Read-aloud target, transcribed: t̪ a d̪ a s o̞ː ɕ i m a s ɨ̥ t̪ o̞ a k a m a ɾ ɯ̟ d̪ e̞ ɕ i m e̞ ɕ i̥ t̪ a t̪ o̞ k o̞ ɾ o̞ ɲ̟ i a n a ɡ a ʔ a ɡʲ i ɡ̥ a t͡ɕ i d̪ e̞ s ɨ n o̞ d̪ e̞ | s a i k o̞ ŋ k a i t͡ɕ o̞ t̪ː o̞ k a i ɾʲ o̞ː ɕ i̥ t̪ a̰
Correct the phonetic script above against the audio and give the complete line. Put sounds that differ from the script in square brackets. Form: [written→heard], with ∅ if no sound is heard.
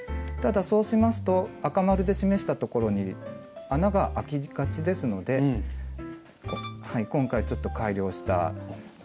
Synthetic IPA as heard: t̪ a d̪ a s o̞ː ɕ i m a s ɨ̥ t̪ o̞ a k a m a ɾ ɯ̟ d̪ e̞ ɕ i m e̞ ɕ i̥ t̪ a t̪ o̞ k o̞ ɾ o̞ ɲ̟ i a n a ɡ a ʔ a [ɡʲ→kʲ] i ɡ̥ a t͡ɕ i d̪ e̞ s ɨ n o̞ d̪ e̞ | [s→h] a i k [o̞→õ̞] ŋ k a i t͡ɕ o̞ t̪ː o̞ k a i ɾʲ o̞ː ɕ i̥ t̪ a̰